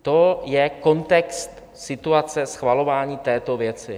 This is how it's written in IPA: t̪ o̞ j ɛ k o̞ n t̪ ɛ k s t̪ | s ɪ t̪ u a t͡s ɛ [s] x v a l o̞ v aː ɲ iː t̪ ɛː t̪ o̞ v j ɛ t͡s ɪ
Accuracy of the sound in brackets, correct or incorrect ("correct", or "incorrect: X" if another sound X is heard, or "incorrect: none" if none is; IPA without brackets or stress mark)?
correct